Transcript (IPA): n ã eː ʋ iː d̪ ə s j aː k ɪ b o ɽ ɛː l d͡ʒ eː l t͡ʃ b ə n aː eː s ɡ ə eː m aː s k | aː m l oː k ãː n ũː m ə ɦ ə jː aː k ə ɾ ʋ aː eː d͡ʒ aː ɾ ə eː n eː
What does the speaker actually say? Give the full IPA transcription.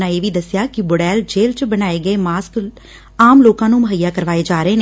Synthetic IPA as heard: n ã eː ʋ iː d̪ ə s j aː k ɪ b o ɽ ɛː l d͡ʒ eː l t͡ʃ b ə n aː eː ɡ ə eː m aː s k | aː m l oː k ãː n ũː m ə ɦ ə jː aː k ə ɾ ʋ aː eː d͡ʒ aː ɾ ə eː n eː